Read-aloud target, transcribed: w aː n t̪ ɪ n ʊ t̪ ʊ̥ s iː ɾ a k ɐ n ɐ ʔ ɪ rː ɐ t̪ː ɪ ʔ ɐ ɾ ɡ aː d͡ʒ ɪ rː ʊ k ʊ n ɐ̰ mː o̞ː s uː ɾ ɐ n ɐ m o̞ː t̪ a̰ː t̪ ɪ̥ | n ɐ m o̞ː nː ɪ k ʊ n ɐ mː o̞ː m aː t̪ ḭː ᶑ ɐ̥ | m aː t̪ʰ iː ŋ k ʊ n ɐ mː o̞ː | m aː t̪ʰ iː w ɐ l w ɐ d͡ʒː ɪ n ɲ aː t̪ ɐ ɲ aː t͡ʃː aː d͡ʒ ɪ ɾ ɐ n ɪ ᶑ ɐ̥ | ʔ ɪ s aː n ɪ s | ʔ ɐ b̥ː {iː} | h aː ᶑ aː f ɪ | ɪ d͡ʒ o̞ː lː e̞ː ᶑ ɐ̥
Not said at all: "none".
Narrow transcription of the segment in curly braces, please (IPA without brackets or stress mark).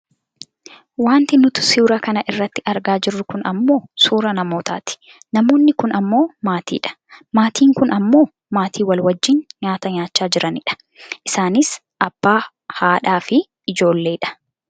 aː